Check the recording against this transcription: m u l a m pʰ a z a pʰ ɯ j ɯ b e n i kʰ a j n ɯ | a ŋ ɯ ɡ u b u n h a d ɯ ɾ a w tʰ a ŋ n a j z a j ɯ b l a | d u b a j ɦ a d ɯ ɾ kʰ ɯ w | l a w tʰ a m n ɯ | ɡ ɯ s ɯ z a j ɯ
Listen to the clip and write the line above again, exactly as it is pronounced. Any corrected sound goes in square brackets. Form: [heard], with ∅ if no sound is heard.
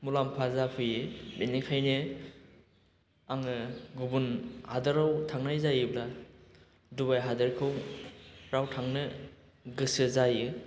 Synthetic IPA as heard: m u l a m pʰ a z a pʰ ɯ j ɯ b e n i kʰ a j n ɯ | a ŋ ɯ ɡ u b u n h a d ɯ ɾ a w tʰ a ŋ n a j z a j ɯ b l a | d u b a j ɦ a d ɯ ɾ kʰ ɯ w | [ɾ] a w tʰ a [ŋ] n ɯ | ɡ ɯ s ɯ z a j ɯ

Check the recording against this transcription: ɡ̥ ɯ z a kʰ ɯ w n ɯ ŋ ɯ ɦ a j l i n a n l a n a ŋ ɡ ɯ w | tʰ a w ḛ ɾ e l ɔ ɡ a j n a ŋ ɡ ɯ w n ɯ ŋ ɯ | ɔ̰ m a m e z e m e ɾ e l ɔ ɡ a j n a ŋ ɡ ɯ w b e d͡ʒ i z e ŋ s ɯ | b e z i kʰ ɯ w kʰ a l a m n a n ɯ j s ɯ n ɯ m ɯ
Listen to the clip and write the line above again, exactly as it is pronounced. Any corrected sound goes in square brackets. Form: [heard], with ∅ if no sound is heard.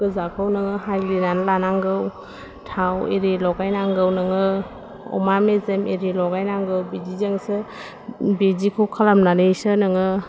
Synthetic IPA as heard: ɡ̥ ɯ z a kʰ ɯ w n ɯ ŋ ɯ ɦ a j l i n a n l a n a ŋ ɡ ɯ w | tʰ a w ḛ ɾ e l ɔ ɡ a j n a ŋ ɡ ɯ w n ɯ ŋ ɯ | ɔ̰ m a m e z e m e ɾ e l ɔ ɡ a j n a ŋ ɡ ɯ w b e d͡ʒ i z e ŋ s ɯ | b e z i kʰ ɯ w kʰ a l a m n a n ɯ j s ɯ n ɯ [ŋ] ɯ

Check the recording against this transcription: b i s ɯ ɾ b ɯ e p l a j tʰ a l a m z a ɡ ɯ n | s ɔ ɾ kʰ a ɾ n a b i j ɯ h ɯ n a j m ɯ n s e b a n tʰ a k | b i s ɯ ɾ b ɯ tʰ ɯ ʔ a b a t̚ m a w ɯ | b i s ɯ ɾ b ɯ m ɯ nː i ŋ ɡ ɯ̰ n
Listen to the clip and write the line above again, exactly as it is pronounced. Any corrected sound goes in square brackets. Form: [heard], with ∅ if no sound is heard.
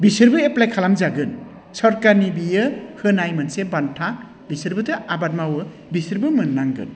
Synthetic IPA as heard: b i s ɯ ɾ b ɯ e p l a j [kʰ] a l a m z a ɡ ɯ n | s ɔ ɾ [k] a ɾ n [i] b i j ɯ h ɯ n a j m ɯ n s e b a n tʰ a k | b i s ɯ ɾ b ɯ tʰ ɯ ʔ a b a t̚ m a w ɯ | b i s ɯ ɾ b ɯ m ɯ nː [a] ŋ ɡ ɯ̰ n

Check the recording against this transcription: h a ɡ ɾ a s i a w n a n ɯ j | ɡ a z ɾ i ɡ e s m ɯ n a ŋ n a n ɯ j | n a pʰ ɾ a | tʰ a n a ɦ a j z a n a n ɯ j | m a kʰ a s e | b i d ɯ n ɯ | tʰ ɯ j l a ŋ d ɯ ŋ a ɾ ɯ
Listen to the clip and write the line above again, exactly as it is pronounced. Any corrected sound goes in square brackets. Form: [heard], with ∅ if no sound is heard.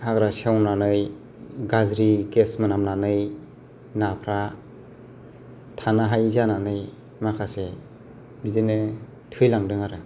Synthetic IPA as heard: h a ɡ ɾ a s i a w n a n ɯ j | ɡ a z ɾ i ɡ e s m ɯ n a [m] n a n ɯ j | n a pʰ ɾ a | tʰ a n a ɦ a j z a n a n ɯ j | m a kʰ a s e | b i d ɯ n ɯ | tʰ ɯ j l a ŋ d ɯ ŋ a ɾ ɯ

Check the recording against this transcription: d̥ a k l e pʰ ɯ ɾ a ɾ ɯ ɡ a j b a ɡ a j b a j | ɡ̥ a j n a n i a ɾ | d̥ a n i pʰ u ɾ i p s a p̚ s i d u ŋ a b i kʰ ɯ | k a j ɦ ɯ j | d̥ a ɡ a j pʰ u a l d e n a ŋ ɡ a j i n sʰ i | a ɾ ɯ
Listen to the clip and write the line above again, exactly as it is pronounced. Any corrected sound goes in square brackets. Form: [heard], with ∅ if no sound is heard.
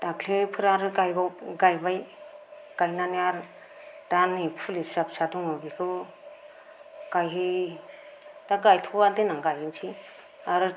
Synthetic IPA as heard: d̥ a k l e pʰ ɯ ɾ a ɾ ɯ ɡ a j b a ɡ a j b a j | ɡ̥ a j n a n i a ɾ | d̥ a n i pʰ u [l] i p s a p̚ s [a] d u ŋ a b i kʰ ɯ | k a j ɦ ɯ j | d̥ a ɡ a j [tʰ] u a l d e n a ŋ ɡ a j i n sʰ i | a ɾ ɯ

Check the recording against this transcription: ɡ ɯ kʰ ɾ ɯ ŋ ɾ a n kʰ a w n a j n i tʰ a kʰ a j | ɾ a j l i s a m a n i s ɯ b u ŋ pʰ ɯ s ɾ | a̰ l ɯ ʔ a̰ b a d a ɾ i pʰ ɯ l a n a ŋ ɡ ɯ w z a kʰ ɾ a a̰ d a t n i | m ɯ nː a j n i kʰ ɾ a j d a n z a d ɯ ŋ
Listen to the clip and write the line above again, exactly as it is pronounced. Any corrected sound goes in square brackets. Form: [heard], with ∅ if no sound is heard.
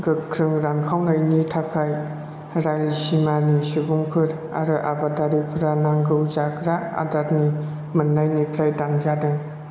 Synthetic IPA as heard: ɡ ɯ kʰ ɾ ɯ ŋ ɾ a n kʰ a w n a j n i tʰ a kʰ a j | ɾ a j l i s [i] m a n i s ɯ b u ŋ pʰ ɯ [∅] ɾ | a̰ [ɾ] ɯ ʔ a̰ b a d a ɾ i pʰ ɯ [ɾ] a n a ŋ ɡ ɯ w z a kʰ ɾ a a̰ d a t n i | m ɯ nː a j n i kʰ ɾ a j d a n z a d ɯ ŋ

